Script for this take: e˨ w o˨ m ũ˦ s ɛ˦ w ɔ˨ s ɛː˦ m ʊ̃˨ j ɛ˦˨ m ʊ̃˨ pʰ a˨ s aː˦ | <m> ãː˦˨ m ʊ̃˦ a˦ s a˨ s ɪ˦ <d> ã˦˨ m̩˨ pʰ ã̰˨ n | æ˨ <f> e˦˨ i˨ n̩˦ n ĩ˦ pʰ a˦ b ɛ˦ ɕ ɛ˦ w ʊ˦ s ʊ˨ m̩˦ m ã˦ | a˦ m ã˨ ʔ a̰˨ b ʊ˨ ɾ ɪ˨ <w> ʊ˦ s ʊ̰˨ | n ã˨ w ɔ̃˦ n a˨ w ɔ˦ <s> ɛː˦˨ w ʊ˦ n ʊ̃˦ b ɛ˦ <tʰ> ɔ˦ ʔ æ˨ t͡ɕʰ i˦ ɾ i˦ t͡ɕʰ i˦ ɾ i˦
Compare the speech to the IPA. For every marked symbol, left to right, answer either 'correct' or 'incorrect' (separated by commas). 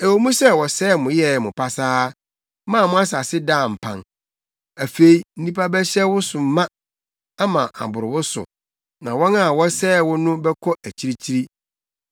correct, correct, correct, correct, correct, incorrect